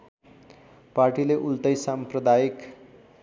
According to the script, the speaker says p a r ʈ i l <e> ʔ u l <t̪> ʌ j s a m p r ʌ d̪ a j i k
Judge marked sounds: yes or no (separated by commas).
yes, yes